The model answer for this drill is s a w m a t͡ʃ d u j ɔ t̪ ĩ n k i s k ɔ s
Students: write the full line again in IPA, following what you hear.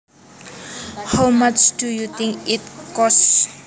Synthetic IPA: h a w m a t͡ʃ d u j u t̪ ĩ ŋ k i t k ɔ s